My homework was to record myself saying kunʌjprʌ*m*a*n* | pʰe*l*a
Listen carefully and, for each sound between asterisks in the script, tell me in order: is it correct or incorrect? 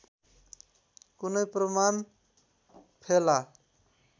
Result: correct, correct, correct

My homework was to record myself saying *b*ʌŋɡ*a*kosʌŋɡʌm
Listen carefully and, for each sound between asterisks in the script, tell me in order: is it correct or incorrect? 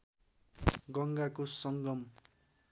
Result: incorrect: ɡ, correct

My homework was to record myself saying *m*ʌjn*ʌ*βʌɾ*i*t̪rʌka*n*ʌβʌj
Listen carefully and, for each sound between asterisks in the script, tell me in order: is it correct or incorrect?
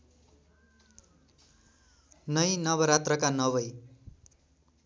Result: incorrect: n, correct, incorrect: a, correct

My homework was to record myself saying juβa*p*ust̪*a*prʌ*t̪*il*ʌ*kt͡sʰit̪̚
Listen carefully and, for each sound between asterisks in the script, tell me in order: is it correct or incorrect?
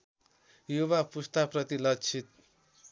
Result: correct, correct, correct, correct

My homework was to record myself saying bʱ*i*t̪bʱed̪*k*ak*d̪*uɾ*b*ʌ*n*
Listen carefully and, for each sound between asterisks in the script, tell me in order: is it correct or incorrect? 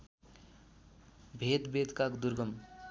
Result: incorrect: e, correct, correct, incorrect: ɡ, incorrect: m

